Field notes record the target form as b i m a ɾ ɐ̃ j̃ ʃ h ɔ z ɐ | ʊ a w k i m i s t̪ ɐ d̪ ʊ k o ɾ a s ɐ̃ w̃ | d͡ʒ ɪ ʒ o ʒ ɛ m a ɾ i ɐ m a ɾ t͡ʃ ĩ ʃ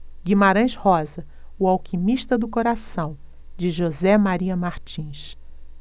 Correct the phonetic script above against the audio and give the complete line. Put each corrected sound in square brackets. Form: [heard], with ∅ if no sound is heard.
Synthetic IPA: [ɡ] i m a ɾ ɐ̃ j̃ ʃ h ɔ z ɐ | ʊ a w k i m i [ʃ] t̪ ɐ d̪ ʊ k o ɾ a s ɐ̃ w̃ | d͡ʒ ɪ ʒ o [z] ɛ m a ɾ i ɐ m a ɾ t͡ʃ ĩ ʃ